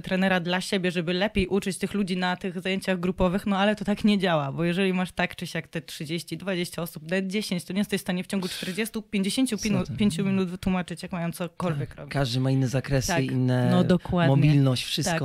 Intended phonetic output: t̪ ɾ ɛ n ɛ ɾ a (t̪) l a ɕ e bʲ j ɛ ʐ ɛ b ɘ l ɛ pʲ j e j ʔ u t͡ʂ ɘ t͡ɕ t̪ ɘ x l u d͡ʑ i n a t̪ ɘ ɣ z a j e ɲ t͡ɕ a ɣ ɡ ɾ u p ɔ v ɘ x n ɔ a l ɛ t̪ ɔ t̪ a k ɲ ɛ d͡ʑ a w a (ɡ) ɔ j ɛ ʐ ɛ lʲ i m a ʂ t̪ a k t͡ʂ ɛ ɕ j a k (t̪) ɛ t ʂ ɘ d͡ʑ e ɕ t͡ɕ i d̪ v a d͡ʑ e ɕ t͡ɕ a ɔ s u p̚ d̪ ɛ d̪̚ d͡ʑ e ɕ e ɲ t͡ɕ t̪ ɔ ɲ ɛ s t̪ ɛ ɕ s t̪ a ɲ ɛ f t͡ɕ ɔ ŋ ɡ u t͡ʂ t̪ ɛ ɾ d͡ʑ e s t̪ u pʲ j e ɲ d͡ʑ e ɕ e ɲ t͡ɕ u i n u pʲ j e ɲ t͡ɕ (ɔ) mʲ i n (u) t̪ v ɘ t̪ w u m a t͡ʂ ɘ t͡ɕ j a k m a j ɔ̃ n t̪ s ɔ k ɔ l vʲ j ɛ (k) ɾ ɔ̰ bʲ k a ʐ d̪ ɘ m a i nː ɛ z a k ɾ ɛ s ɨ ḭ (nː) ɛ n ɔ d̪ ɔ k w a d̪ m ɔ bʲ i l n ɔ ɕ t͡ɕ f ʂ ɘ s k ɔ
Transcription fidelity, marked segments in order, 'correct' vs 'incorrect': incorrect, incorrect, correct, incorrect, correct, correct, correct

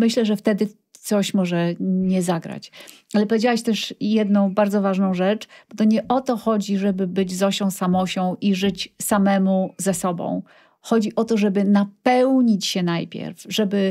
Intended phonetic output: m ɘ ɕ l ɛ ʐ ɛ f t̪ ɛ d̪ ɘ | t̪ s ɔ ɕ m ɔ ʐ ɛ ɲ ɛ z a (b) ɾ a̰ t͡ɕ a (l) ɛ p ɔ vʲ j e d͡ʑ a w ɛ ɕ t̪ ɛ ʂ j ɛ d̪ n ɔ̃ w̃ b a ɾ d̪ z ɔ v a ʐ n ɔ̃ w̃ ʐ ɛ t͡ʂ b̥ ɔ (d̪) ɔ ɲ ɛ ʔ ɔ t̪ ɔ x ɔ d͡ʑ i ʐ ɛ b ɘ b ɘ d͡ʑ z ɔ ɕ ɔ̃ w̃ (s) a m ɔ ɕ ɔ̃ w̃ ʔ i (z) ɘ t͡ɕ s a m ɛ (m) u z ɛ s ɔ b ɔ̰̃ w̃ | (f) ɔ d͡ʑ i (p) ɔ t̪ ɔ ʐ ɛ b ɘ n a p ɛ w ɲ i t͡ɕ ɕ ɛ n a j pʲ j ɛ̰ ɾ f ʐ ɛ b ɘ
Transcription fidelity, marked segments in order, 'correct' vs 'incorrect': incorrect, correct, incorrect, correct, incorrect, correct, incorrect, incorrect

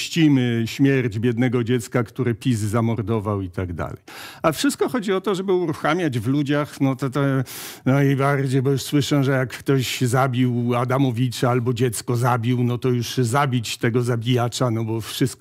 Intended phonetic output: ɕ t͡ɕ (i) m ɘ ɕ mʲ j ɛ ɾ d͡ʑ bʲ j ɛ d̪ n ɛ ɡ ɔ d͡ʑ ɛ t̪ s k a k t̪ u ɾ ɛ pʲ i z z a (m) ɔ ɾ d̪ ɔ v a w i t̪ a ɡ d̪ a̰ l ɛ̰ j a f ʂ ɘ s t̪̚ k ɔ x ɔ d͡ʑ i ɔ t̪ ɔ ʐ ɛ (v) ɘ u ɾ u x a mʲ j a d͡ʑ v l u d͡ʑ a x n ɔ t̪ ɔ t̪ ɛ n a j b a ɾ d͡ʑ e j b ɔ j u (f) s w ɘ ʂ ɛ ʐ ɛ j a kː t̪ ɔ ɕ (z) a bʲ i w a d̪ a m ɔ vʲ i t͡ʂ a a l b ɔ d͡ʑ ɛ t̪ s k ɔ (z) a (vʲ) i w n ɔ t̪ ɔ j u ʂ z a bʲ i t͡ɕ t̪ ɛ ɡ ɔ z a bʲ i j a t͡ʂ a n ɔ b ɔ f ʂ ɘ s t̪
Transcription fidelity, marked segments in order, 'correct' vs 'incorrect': correct, correct, incorrect, incorrect, correct, correct, incorrect

